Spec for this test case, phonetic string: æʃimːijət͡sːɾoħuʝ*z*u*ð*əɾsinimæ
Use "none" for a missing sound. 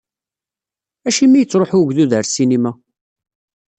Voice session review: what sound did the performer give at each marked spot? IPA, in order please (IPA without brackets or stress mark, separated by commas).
ð, ð